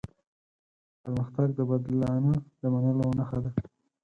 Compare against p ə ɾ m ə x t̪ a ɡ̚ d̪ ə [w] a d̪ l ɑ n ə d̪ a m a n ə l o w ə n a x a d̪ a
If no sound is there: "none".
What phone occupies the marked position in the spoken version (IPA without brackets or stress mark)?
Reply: b